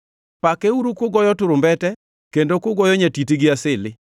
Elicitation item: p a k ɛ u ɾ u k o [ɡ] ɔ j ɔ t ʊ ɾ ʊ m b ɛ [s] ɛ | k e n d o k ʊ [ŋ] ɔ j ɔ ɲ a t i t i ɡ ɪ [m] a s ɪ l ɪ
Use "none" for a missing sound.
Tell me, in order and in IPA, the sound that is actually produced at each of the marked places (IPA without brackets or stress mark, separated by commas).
ɡ, t, ɡ, none